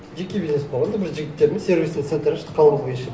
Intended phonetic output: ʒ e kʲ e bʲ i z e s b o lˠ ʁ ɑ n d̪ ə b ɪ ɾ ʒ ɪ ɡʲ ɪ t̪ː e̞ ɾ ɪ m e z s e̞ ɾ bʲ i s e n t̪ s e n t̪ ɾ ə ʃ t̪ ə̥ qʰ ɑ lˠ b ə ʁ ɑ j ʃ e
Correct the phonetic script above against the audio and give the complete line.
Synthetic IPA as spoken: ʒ e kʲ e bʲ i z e s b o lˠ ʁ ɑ n d̪ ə b ɪ ɾ ʒ ɪ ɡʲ ɪ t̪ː e̞ ɾ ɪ m e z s e̞ ɾ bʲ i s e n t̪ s e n t̪ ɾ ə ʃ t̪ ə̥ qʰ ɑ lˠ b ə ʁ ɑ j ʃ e